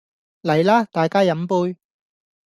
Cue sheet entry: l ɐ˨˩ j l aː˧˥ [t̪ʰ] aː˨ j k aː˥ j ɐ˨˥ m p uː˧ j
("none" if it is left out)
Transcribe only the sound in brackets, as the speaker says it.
t̪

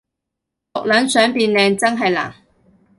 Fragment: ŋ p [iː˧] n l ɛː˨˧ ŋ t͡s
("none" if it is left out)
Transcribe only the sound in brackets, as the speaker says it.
iː˧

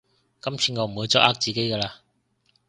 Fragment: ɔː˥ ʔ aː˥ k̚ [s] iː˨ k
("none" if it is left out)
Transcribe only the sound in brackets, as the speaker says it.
t͡s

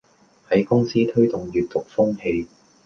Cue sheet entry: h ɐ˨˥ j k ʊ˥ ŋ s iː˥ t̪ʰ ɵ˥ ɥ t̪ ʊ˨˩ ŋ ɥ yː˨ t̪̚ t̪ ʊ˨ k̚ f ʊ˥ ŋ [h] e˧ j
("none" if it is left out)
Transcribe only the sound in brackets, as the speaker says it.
h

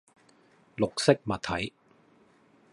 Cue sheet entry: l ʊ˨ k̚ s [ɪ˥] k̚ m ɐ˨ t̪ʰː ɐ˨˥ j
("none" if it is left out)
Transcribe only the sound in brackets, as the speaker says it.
ɪ˥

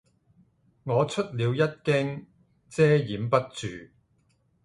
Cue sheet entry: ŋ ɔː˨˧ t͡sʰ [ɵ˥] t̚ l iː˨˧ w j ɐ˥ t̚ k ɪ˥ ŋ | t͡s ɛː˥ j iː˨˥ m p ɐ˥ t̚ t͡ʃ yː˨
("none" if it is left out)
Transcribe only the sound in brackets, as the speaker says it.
ɵ˥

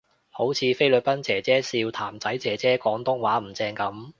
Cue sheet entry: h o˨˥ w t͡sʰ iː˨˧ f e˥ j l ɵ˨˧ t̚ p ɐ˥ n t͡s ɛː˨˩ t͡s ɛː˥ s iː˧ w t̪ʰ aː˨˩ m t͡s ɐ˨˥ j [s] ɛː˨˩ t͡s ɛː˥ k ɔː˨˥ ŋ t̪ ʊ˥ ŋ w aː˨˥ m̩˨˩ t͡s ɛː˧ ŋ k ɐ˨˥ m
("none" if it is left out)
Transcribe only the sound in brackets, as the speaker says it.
t͡s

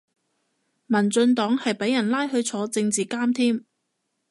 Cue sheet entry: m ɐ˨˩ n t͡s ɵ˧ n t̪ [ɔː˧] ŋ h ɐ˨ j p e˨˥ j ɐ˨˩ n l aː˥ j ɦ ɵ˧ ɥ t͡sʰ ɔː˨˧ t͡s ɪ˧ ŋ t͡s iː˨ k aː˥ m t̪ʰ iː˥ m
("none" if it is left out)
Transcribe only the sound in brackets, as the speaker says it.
ɔː˨˥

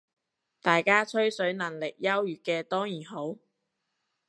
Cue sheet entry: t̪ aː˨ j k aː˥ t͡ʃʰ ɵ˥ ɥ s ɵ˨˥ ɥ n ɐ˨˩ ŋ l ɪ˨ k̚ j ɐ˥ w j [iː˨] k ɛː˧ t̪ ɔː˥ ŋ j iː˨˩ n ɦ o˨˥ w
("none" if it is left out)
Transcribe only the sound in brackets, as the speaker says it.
yː˨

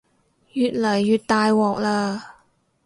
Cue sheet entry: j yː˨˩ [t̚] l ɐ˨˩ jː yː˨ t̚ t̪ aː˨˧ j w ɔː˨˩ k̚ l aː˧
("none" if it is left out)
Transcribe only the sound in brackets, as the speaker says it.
t̚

